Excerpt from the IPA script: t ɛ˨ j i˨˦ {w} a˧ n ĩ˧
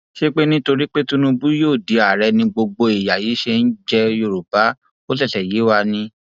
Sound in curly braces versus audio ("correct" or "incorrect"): correct